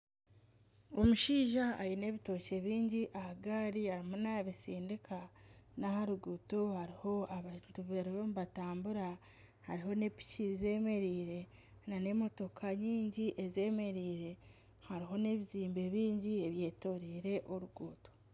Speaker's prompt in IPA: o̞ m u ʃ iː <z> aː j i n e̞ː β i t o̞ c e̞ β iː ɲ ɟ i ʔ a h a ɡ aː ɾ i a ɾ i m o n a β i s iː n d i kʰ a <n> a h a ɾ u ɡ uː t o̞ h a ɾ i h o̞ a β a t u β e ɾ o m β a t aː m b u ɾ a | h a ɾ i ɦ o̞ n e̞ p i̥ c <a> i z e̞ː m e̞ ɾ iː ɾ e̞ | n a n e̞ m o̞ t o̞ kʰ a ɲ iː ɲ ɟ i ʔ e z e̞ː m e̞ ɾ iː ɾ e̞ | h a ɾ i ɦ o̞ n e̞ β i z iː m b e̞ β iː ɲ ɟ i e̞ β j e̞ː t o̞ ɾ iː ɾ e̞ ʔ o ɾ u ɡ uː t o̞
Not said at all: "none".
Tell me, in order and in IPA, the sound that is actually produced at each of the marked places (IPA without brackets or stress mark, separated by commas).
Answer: ʒ, n, i